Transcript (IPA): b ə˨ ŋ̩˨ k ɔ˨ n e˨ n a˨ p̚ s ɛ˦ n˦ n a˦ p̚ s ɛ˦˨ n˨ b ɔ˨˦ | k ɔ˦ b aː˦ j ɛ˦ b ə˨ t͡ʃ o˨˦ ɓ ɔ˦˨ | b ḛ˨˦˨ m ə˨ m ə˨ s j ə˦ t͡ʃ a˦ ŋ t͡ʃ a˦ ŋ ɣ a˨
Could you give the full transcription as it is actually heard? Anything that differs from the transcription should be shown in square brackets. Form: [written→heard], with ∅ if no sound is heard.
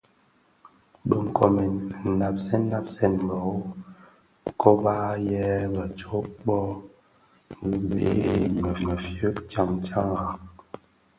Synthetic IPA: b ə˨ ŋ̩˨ k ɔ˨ [n→m] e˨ n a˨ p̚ s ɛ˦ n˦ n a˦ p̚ s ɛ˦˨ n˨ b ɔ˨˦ | k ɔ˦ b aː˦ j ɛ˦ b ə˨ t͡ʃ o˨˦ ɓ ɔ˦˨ | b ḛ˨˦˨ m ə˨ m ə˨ [s→f] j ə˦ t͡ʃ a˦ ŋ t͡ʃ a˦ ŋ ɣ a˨